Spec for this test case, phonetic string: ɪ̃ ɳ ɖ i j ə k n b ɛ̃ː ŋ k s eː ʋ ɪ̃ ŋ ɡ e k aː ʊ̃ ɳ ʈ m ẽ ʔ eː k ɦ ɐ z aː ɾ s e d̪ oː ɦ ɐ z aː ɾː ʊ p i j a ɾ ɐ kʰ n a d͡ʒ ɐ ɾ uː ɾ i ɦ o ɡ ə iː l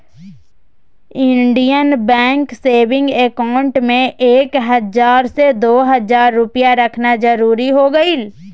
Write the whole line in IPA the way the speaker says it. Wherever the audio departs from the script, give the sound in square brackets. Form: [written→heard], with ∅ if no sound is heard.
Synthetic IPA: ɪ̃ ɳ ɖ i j ə [k→∅] n b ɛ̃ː ŋ k s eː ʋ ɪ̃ ŋ ɡ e k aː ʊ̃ ɳ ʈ m ẽ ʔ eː k ɦ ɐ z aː ɾ s e d̪ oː ɦ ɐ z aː ɾː ʊ p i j a ɾ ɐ kʰ n a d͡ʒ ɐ ɾ uː ɾ i ɦ o ɡ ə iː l